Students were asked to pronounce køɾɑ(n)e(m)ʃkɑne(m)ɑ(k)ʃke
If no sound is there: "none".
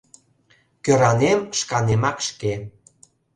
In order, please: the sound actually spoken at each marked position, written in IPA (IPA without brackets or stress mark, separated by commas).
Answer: n, m, m, k